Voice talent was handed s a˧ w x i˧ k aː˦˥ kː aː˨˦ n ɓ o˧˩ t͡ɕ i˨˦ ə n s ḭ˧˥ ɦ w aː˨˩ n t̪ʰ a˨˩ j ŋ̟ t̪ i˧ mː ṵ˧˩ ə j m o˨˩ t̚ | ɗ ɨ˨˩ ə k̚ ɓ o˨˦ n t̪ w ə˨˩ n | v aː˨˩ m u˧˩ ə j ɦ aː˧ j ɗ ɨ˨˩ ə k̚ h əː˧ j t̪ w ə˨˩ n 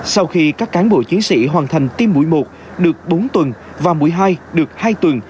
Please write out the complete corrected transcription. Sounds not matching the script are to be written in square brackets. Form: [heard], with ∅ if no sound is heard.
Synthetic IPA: s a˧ w x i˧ k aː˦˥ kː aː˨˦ n ɓ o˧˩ t͡ɕ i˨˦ ə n s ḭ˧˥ ɦ w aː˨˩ n t̪ʰ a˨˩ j ŋ̟ t̪ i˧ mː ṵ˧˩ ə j m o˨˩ t̚ | ɗ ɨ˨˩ ə k̚ ɓ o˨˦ n t̪ w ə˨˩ n | v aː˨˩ m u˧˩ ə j ɦ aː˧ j ɗ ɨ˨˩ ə k̚ h [aː˧] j t̪ w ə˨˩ n